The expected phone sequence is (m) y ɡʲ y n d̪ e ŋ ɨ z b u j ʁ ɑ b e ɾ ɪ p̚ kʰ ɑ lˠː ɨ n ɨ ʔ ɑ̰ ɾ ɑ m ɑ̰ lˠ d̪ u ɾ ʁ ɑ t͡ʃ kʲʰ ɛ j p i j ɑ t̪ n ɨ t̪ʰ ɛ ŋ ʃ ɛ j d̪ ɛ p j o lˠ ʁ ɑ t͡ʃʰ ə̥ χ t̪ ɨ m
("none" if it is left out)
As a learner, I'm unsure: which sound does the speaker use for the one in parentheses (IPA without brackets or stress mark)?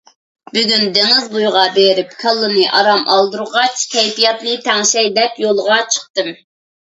b